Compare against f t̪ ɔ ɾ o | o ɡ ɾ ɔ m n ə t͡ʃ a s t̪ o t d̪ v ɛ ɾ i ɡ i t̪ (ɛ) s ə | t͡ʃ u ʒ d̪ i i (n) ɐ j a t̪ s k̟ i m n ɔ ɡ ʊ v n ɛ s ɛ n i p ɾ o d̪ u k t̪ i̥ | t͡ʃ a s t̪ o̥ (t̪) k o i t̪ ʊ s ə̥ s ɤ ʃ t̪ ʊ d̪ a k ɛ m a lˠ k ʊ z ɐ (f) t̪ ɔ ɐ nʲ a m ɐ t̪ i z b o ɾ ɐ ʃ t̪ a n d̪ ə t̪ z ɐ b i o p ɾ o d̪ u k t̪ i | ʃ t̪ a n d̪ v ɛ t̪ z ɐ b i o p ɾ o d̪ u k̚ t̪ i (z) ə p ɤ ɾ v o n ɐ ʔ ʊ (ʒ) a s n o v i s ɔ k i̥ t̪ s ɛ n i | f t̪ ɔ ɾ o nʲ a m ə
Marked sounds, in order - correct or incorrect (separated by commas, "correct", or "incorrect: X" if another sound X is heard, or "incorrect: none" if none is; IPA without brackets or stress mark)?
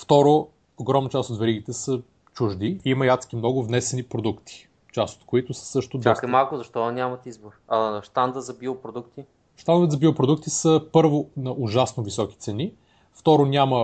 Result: correct, incorrect: m, correct, incorrect: ʃ, incorrect: s, correct